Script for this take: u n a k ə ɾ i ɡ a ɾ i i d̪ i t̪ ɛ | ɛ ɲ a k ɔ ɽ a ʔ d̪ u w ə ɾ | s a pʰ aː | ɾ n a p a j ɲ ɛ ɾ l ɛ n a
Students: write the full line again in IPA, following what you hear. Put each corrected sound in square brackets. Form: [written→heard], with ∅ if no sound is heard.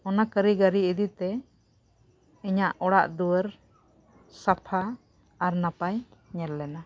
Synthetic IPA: [u→ɔ] n a k ə ɾ i ɡ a ɾ i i d̪ i t̪ ɛ | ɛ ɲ a [k→ʔ] ɔ ɽ a ʔ d̪ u w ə ɾ | s a pʰ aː | ɾ n a p a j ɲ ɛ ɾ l ɛ n a